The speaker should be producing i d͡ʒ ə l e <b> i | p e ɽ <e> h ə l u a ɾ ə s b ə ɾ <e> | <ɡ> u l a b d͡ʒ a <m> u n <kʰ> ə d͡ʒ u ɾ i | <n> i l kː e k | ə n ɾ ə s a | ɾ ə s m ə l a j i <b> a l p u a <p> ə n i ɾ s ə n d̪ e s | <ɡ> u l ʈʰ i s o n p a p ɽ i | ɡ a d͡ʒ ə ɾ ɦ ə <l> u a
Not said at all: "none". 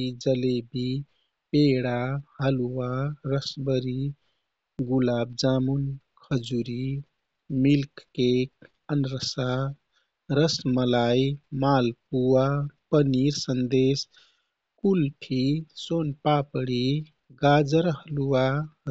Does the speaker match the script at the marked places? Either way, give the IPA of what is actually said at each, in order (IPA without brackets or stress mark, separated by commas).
b, a, i, ɡ, m, kʰ, m, m, p, k, l